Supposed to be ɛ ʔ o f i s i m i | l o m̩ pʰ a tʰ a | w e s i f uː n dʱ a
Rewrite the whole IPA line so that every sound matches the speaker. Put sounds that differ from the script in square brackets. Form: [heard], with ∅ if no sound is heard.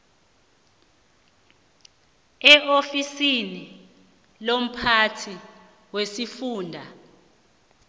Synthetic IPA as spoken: ɛ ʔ o f i s i [n] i | l o m̩ pʰ a tʰ [i] | w e s i f uː n dʱ a

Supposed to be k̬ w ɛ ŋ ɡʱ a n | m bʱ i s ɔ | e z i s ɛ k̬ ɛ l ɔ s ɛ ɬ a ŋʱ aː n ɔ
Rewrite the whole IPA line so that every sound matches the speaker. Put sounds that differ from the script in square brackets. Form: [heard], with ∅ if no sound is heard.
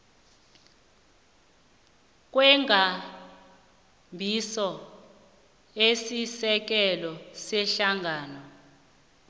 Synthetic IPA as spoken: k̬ w ɛ ŋ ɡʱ a [∅] | m bʱ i s ɔ | e [s] i s ɛ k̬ ɛ l ɔ s ɛ ɬ a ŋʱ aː n ɔ

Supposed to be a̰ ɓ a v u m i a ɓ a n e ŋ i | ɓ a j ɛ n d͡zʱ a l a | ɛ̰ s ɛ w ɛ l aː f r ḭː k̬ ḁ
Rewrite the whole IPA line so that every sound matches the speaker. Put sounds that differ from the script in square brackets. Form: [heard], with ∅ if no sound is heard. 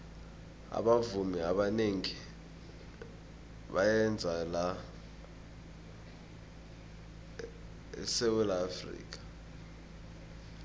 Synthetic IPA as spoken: a̰ ɓ a v u m i a ɓ a n e ŋ i | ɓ a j ɛ n d͡zʱ a l a | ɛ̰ s ɛ w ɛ l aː f r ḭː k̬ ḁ

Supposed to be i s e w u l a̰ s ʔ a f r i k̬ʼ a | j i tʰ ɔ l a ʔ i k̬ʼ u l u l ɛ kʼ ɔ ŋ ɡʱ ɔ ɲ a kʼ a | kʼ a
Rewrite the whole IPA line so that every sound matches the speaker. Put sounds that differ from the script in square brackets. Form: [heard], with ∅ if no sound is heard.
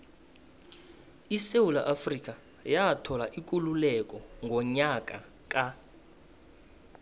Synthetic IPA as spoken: i s e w u l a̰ [∅] ʔ a f r i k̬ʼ a | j [a] tʰ ɔ l a ʔ i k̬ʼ u l u l ɛ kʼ ɔ ŋ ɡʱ ɔ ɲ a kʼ a | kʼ a

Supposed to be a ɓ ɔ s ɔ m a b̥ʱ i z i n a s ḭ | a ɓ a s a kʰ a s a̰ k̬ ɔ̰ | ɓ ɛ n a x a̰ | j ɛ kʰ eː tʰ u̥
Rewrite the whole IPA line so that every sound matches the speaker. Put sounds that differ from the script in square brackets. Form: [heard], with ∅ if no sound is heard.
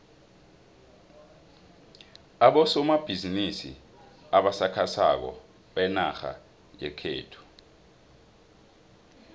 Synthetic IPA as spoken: a ɓ ɔ s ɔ m a b̥ʱ i z i n [i] s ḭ | a ɓ a s a kʰ a s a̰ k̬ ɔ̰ | ɓ ɛ n a x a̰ | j ɛ kʰ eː tʰ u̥

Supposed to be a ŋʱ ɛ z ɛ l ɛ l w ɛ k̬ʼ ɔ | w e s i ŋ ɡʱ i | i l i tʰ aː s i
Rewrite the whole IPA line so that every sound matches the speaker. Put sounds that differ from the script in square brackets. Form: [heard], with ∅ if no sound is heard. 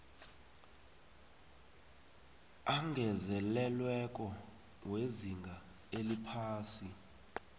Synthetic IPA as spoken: a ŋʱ ɛ z ɛ l ɛ l w ɛ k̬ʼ ɔ | w e [z] i ŋ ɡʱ [a] | [e] l i [pʰ] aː s i

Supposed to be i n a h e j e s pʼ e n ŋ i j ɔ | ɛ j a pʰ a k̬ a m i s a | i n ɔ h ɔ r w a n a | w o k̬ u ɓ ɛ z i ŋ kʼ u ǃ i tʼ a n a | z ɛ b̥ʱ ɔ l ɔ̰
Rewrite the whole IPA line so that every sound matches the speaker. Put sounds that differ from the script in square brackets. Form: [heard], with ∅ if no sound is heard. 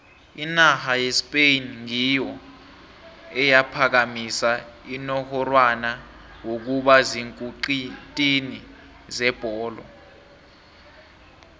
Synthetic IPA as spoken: i n a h [a] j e s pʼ e n ŋ i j ɔ | ɛ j a pʰ a k̬ a m i s a | i n ɔ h ɔ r w a n a | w o k̬ u ɓ [a] z i ŋ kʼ u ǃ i tʼ [i] n [i] | z ɛ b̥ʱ [ɔː] l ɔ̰

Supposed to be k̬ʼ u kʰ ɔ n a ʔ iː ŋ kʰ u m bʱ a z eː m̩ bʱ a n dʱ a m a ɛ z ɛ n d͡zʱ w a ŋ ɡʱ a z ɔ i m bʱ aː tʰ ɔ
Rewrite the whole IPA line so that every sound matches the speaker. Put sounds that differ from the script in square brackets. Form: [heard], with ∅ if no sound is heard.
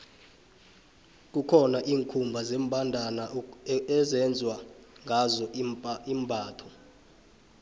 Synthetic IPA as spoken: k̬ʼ u kʰ ɔ n a ʔ iː ŋ kʰ u m bʱ a z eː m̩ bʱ a n dʱ a [n] a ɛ z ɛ n d͡zʱ w a ŋ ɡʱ a z ɔ i m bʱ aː tʰ ɔ

